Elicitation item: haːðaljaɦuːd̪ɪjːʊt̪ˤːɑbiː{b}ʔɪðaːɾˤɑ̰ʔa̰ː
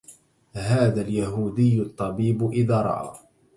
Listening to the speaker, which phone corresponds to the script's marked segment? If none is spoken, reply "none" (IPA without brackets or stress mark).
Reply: b